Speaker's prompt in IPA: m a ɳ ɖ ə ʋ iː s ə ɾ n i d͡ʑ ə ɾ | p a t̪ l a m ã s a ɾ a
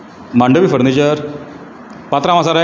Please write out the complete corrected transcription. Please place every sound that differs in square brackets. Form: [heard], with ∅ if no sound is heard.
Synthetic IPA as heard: m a ɳ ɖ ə ʋ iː [f] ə ɾ n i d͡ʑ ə ɾ | p a t̪ [ɾ] a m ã s a ɾ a